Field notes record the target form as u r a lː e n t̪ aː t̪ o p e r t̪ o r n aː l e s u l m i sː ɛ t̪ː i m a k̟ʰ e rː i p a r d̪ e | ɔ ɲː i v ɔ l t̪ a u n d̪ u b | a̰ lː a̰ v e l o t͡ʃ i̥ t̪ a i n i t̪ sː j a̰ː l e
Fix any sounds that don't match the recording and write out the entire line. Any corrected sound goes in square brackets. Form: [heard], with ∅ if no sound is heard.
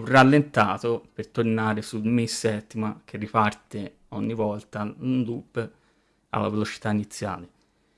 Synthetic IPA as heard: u r a lː e n t̪ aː t̪ o p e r t̪ o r n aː [ɾ] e s u l m i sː ɛ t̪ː i m a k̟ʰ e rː i p a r [t̪] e | ɔ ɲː i v ɔ l t̪ a u n d̪ u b | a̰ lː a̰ v e l o t͡ʃ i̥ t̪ a i n i t̪ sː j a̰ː l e